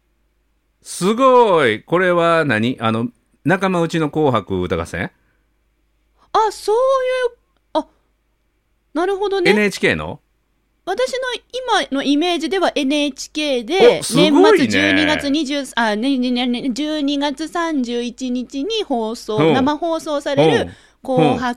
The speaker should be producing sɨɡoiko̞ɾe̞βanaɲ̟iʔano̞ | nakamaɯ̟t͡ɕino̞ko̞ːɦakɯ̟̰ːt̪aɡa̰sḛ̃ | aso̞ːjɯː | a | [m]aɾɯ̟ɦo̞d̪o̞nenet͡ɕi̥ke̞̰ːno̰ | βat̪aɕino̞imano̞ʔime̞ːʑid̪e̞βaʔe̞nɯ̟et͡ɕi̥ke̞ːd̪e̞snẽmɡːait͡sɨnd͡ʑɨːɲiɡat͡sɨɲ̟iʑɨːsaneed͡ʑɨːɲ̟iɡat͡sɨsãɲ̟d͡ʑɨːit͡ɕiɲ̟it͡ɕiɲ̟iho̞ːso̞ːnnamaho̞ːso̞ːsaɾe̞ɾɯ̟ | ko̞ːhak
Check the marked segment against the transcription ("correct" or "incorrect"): incorrect